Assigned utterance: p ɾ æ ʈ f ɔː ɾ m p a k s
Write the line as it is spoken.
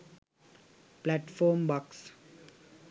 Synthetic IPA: p l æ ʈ f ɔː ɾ m b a k s